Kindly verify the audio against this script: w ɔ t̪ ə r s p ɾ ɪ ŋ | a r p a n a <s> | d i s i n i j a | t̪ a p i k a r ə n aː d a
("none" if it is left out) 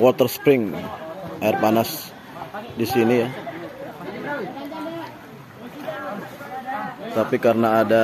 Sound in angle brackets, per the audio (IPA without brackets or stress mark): s